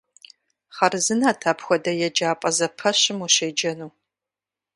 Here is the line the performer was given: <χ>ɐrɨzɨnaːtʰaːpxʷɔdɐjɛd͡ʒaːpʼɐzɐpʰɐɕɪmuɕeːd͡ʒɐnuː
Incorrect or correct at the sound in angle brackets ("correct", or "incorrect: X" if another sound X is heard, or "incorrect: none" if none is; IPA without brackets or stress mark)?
correct